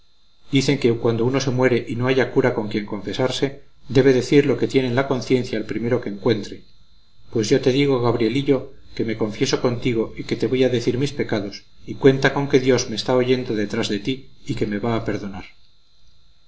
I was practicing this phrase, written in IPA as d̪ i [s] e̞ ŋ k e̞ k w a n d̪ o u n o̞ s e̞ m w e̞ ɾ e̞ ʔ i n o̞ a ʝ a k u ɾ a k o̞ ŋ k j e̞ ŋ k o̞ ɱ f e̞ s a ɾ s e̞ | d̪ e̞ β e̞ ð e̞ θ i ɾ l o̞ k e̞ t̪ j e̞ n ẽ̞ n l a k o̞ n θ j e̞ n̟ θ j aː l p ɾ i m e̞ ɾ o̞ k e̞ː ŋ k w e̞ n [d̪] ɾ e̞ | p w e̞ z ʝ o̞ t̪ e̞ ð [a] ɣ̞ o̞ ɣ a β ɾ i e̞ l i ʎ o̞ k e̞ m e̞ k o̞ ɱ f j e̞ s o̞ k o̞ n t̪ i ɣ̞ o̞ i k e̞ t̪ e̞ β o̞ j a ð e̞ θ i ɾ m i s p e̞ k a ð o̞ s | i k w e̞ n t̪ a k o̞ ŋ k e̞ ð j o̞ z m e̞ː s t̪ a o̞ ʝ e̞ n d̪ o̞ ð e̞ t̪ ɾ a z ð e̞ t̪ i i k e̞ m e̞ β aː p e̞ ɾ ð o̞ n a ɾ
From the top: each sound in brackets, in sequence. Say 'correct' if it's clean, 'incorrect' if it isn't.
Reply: incorrect: θ, incorrect: t̪, incorrect: i

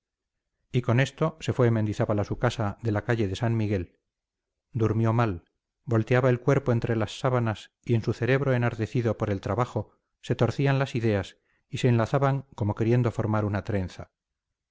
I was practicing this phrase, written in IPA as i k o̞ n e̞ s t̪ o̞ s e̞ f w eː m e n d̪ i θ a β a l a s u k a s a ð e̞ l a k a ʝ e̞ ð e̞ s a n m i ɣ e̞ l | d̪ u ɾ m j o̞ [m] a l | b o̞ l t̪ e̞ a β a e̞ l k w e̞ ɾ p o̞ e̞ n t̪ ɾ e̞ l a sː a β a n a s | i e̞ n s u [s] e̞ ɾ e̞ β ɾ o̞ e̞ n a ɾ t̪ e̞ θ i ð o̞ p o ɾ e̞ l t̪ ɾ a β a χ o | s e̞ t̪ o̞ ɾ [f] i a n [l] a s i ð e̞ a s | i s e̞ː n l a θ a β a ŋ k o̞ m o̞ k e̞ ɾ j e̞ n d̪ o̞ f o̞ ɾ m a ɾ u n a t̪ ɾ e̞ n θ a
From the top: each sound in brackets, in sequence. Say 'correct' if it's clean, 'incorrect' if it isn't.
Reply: correct, incorrect: θ, incorrect: θ, correct

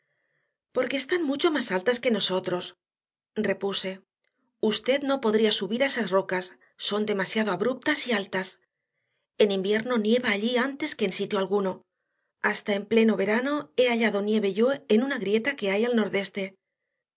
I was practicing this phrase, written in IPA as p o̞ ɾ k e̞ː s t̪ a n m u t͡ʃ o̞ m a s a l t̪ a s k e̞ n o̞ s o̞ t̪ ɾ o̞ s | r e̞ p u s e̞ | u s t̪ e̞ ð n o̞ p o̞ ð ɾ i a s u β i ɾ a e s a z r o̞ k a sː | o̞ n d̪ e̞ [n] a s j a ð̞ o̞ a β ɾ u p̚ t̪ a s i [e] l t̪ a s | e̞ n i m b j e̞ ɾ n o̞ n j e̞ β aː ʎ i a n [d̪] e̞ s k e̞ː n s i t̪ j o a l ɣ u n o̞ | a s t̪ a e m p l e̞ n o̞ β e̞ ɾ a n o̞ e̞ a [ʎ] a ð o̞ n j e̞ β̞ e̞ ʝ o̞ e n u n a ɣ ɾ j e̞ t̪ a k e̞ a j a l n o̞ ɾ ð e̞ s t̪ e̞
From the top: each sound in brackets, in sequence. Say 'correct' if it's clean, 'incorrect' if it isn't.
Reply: incorrect: m, incorrect: a, incorrect: t̪, correct

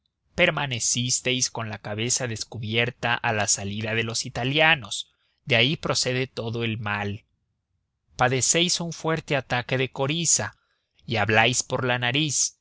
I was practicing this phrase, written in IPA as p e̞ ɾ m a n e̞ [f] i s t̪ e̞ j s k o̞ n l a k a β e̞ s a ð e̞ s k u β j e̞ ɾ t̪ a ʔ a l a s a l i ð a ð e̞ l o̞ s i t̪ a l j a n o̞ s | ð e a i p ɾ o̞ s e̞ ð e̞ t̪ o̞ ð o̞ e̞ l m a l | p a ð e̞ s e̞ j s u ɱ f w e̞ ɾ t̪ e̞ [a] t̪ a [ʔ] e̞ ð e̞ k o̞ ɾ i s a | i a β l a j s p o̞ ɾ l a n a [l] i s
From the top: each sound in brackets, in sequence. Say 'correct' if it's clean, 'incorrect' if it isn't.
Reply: incorrect: s, correct, incorrect: k, incorrect: ɾ

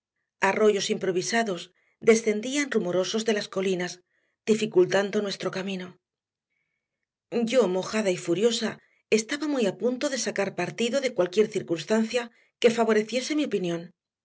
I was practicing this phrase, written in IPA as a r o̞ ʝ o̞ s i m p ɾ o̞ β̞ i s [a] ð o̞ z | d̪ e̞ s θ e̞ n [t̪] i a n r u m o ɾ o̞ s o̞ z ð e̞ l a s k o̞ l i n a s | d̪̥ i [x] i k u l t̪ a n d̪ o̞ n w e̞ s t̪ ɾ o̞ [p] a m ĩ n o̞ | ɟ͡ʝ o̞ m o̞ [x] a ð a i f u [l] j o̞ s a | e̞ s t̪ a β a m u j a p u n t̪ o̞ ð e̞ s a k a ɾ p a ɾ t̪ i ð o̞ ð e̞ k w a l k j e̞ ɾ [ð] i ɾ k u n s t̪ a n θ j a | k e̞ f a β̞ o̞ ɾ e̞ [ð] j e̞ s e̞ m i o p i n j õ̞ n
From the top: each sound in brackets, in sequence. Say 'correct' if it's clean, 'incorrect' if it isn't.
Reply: correct, incorrect: d̪, incorrect: f, incorrect: k, correct, incorrect: ɾ, incorrect: θ, incorrect: θ

